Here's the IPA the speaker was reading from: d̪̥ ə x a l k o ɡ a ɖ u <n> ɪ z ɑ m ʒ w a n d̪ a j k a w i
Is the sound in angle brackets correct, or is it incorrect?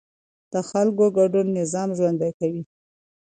incorrect